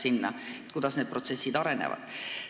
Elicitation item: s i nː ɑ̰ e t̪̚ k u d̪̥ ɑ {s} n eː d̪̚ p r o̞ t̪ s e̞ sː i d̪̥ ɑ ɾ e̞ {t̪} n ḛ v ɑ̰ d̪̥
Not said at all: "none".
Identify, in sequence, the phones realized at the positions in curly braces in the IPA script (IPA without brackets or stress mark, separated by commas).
s, none